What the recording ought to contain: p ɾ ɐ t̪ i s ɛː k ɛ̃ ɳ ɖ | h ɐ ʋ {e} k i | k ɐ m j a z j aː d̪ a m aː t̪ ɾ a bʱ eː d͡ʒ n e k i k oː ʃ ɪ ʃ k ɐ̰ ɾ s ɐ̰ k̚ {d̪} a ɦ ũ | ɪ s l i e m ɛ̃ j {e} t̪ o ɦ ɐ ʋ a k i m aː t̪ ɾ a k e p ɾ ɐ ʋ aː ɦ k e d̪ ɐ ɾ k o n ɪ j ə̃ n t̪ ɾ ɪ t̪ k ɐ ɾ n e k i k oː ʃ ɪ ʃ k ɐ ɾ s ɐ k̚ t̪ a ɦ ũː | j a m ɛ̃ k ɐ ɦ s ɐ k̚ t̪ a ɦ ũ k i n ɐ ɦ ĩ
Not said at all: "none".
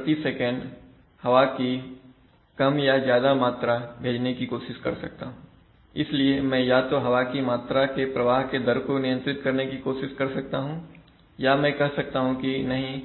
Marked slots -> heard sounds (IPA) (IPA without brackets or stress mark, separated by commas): a, t̪, a